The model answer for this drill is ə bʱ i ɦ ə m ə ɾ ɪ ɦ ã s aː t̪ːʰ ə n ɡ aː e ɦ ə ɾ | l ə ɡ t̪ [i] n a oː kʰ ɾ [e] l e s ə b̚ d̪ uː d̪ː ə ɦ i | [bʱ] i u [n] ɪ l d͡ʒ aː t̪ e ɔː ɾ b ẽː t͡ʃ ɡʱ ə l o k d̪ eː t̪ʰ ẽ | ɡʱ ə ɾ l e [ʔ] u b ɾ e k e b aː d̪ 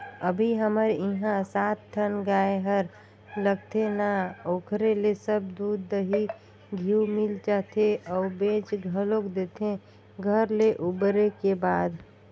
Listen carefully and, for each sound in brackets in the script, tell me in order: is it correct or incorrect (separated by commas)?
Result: incorrect, correct, incorrect, incorrect, correct